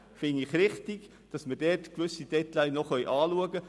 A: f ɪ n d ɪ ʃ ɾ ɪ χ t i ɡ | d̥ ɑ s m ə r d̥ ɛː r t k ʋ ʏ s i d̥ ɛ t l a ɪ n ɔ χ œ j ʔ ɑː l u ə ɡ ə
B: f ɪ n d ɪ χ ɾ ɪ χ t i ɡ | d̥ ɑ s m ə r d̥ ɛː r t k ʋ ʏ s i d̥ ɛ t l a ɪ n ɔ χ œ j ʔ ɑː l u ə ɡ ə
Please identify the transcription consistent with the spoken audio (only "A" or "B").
B